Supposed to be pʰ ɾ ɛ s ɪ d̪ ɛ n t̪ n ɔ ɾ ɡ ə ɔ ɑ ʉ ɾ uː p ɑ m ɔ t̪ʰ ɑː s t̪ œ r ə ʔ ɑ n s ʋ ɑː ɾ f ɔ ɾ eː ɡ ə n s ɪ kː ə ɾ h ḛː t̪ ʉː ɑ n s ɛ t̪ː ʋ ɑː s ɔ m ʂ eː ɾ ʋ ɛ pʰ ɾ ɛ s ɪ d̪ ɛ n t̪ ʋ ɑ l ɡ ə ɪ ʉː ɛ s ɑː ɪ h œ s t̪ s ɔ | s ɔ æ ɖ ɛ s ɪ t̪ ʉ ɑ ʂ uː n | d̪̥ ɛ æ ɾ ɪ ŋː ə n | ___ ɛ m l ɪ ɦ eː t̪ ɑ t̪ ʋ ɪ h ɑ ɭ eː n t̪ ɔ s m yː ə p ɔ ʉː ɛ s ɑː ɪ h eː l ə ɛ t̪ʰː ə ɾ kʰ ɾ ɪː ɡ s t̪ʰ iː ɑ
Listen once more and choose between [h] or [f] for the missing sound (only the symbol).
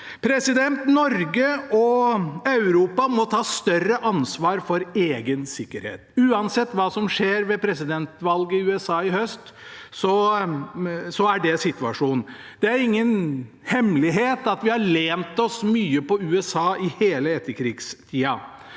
h